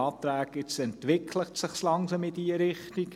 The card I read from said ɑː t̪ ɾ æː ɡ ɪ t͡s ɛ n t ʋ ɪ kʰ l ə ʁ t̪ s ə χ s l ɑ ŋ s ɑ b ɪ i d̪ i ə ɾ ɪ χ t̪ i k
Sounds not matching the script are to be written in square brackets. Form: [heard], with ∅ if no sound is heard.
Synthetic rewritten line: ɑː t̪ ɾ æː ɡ ɪ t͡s ɛ n t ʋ ɪ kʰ l ə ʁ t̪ s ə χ s l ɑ ŋ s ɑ [m] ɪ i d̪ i ə ɾ ɪ χ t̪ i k